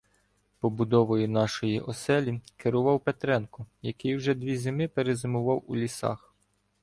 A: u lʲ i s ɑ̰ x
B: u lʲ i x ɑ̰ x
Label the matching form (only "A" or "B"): A